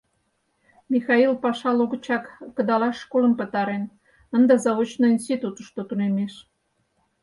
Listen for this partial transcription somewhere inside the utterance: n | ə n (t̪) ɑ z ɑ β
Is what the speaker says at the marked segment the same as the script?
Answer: no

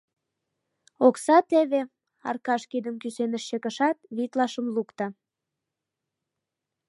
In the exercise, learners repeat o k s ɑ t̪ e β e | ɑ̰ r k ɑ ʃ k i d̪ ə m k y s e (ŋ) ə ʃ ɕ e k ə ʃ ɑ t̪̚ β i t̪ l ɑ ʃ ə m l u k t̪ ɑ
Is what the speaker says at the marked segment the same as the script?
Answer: no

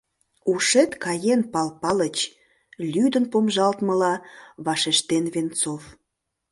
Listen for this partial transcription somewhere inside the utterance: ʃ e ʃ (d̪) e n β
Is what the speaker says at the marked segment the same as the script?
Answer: no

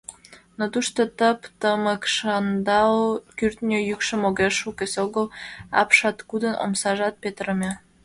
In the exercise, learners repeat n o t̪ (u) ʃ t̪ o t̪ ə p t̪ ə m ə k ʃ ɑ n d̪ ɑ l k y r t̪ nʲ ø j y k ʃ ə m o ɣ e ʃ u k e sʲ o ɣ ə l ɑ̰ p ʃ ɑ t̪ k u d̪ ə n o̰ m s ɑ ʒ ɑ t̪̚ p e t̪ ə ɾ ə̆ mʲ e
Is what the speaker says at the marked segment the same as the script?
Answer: yes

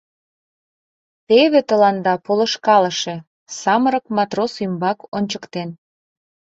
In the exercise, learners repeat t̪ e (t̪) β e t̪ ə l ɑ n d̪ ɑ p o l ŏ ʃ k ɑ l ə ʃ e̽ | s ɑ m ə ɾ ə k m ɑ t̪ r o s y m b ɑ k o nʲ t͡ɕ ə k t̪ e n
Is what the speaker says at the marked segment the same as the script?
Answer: no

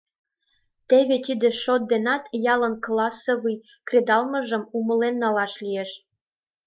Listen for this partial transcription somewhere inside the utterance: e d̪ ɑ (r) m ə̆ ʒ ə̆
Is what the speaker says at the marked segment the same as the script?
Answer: no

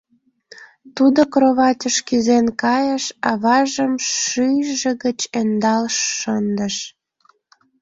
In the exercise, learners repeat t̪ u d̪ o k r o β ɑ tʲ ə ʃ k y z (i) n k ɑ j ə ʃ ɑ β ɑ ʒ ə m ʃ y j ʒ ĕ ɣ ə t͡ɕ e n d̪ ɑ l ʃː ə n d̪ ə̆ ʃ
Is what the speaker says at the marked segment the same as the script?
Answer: no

